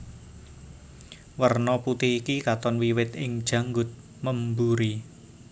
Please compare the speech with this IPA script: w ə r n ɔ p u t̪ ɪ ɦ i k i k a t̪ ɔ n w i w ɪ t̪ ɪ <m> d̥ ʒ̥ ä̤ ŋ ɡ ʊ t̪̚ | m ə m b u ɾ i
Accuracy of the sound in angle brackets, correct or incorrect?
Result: incorrect